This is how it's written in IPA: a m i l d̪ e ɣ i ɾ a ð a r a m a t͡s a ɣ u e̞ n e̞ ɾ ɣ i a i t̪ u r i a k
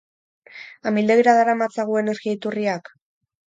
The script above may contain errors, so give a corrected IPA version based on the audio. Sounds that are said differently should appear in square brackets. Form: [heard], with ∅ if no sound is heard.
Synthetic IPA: a m i l d̪ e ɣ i ɾ a ð a [ɾ] a m a t͡s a ɣ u e̞ n e̞ ɾ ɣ i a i t̪ u r i a k